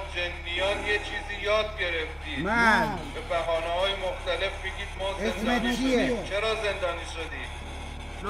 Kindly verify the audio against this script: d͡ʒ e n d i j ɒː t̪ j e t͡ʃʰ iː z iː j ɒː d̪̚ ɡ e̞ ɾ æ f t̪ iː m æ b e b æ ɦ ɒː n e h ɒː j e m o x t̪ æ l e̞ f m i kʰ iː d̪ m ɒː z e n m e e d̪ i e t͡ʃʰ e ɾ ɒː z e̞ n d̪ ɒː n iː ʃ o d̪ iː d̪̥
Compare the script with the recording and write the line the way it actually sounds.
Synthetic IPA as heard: d͡ʒ e n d i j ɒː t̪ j e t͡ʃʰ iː z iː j ɒː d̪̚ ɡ e̞ ɾ e f t̪ iː m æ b e b æ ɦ ɒː n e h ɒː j e m o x t̪ æ l e̞ f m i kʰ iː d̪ m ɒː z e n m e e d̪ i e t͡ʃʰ e ɾ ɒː z e̞ n d̪ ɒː n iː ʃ o d̪ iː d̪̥